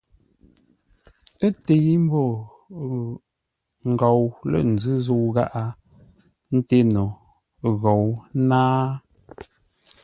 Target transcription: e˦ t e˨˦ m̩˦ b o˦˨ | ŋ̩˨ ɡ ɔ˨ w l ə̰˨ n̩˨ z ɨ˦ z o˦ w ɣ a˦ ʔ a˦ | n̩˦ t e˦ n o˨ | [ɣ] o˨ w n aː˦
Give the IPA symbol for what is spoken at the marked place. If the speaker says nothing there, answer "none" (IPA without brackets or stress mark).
ɣ